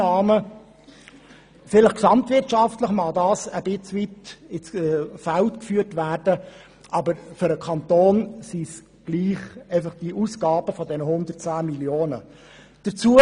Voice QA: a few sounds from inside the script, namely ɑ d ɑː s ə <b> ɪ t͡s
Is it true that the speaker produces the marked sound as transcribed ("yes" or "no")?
yes